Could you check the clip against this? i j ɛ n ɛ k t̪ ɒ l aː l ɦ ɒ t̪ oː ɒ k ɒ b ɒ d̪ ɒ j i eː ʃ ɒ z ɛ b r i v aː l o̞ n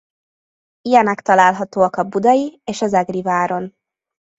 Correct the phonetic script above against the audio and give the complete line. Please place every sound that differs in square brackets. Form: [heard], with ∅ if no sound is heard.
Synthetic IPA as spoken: i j ɛ n ɛ k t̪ ɒ l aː l ɦ ɒ t̪ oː ɒ k ɒ b [u] d̪ ɒ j i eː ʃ ɒ z ɛ [ɡ] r i v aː [ɾ] o̞ n